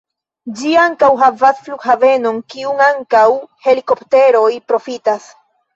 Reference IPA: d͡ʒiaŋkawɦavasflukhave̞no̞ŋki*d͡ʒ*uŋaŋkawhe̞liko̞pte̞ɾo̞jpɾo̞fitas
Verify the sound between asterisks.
incorrect: none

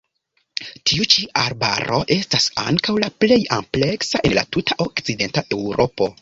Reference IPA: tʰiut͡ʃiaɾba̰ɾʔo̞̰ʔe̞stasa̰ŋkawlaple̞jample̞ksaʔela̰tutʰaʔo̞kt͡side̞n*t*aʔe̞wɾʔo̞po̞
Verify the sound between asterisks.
correct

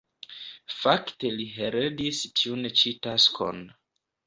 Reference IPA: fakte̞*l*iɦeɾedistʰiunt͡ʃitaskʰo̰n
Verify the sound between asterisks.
correct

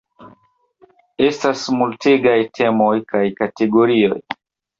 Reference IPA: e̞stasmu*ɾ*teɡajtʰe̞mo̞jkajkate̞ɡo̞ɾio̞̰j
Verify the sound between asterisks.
incorrect: l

